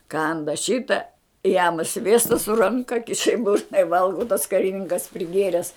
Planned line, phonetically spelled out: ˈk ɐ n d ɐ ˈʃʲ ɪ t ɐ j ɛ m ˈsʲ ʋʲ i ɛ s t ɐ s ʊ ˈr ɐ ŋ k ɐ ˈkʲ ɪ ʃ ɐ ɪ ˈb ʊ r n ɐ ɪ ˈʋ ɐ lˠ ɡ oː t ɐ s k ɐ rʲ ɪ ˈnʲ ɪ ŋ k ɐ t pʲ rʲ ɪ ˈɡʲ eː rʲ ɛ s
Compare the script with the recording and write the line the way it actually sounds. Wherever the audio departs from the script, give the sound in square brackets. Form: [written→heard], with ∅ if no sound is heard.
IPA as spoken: ˈk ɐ n d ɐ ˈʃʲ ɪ t ɐ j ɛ m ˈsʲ ʋʲ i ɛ s t ɐ s ʊ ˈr ɐ ŋ k ɐ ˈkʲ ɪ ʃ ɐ ɪ ˈb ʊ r n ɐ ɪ ˈʋ ɐ lˠ ɡ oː t ɐ s k ɐ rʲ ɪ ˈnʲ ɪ ŋ k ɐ [t→s] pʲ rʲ ɪ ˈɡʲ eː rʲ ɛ s